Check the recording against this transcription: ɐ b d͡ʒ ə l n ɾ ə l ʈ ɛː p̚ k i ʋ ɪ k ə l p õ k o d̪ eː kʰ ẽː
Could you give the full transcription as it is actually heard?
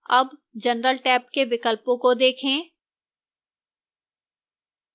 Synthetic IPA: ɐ b d͡ʒ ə n ɾ ə l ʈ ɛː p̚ k e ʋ ɪ k ə l p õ k o d̪ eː kʰ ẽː